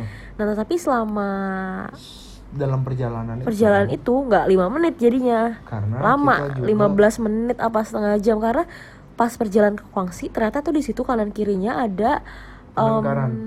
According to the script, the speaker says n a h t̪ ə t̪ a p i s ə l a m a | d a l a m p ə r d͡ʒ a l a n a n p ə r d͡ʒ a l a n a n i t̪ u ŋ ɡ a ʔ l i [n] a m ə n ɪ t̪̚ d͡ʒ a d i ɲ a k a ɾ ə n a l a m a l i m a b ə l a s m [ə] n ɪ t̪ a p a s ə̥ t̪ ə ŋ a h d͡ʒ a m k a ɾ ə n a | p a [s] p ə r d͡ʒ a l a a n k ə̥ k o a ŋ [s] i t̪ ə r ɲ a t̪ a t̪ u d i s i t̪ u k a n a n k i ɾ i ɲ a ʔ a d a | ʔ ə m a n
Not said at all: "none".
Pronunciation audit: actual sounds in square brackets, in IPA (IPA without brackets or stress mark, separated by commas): m, ə, s, s